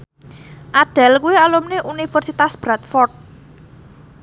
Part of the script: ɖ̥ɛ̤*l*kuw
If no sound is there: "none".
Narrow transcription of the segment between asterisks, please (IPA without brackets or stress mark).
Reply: l